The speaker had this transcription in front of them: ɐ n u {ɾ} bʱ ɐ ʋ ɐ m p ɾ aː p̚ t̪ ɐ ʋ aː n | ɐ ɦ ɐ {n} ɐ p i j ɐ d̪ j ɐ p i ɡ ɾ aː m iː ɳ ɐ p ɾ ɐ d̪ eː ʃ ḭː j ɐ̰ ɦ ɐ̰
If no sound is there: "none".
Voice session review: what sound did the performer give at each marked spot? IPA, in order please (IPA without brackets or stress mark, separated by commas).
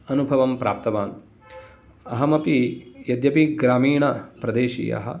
none, m